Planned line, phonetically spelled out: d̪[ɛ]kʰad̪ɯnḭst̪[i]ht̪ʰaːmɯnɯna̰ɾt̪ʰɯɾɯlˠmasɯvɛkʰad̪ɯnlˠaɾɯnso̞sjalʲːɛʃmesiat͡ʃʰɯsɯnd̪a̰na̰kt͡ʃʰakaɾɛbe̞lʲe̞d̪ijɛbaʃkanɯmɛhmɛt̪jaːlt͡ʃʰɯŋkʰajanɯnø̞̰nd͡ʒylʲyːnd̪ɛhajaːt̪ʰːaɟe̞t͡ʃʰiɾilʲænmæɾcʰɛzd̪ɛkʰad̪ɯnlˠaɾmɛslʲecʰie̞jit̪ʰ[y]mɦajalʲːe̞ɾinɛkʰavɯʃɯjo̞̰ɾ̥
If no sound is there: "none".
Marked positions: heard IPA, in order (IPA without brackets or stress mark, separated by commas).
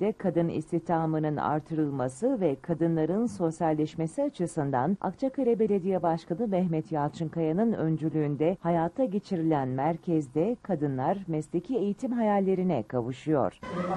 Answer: ɛ, i, i